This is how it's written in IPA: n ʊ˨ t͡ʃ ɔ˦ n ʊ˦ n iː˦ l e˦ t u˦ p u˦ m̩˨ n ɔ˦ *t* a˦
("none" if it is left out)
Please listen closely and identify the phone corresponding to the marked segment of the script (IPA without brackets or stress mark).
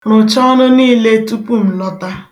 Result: t